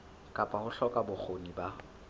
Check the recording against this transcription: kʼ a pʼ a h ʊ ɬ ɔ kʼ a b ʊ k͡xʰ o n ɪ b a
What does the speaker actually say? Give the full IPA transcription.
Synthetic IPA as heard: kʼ a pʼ a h ʊ ɬ ɔ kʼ a b ʊ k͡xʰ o n i b a

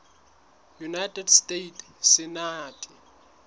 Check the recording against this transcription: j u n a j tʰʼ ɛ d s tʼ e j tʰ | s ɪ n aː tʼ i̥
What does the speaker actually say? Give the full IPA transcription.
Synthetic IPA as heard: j u n a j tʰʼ ɛ d s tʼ e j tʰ | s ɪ n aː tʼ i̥

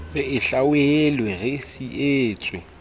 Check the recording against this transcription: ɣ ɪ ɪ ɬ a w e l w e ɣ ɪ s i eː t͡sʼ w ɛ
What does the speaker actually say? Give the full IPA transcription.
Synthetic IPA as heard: ɣ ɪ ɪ ɬ a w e l w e ɣ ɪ s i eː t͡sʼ w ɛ

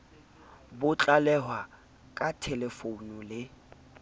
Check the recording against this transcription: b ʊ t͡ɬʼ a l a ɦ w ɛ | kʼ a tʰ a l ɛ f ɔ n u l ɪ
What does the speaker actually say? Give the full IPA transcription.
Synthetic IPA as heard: b ʊ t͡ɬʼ a l ɛ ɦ w a | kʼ a tʰ ɛ l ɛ f o n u l ɪ

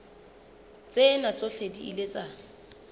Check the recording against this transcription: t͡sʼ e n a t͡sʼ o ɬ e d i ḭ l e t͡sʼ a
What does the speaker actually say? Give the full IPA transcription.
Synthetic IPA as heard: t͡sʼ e n a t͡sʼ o ɬ e d i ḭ l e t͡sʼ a

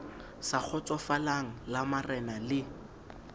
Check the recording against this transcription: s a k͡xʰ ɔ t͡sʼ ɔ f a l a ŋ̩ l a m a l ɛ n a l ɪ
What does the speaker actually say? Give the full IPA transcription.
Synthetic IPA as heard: s a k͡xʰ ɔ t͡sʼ ɔ f a l a ŋ̩ l a m a r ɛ n a l ɪ

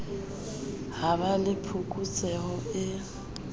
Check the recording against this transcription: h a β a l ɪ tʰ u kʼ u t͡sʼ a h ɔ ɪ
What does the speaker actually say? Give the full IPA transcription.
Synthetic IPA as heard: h a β a l ɪ pʰ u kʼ u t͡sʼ ɛ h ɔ ɪ

